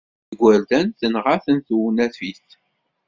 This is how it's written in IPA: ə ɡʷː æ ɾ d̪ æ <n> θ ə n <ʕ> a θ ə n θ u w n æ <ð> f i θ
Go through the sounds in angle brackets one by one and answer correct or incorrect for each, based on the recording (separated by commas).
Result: correct, incorrect, incorrect